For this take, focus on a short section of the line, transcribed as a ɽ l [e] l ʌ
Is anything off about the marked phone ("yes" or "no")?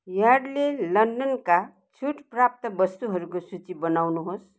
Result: no